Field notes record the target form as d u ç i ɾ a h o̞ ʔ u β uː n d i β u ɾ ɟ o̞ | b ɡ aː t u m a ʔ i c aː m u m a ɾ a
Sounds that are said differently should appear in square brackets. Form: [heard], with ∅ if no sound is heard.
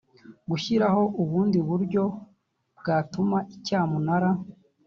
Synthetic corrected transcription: [ɡ] u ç i ɾ a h o̞ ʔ u β uː n d i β u ɾ ɟ o̞ | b ɡ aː t u m a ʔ i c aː m u [n] a ɾ a